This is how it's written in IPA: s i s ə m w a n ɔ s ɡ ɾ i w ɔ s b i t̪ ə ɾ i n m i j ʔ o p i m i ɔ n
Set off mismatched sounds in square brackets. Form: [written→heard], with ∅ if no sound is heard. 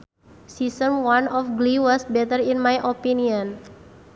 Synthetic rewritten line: s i s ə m w a n ɔ [s→f] ɡ [ɾ→l] i w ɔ s b [i→ɛ] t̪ ə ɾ i n m [i→a] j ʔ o p i [m→n] i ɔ n